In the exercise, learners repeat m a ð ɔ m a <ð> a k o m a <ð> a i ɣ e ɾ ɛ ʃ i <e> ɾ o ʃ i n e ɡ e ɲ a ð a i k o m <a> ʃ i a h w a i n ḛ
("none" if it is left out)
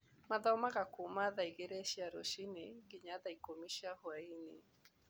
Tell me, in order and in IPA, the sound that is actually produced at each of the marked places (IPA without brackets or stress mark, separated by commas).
ɣ, ð, a, i